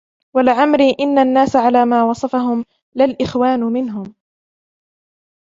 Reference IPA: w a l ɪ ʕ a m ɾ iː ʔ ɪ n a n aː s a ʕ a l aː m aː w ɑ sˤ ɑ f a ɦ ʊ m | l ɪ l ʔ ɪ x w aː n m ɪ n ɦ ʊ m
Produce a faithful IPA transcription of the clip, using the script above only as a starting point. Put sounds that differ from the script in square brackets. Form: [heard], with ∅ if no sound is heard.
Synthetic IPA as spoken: w a l ɪ ʕ a m ɾ iː ʔ ɪ [nː] a [nː] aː s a ʕ a l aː m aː w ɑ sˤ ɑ f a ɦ ʊ m | l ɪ l ʔ ɪ x w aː n m ɪ n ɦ ʊ m